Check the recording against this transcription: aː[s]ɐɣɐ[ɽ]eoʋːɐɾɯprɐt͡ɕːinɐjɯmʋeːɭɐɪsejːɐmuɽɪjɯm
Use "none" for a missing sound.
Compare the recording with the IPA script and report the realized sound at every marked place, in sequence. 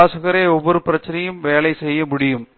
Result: s, ɾ

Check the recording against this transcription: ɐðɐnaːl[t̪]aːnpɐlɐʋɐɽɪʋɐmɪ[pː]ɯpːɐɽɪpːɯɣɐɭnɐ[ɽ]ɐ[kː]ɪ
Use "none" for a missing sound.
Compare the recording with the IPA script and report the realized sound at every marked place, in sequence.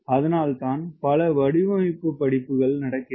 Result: t̪, pː, ɽ, kː

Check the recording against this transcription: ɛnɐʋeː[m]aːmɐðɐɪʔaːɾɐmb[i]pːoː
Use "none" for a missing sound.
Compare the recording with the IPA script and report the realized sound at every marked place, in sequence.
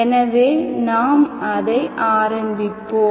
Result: n, ɪ

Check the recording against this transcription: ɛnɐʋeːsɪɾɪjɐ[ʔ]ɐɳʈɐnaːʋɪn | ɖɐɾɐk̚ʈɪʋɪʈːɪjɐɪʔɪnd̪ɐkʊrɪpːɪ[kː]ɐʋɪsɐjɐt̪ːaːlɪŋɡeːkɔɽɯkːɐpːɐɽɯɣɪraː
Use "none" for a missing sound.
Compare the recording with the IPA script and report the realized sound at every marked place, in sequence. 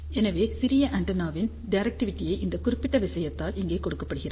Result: ʔ, ʈː

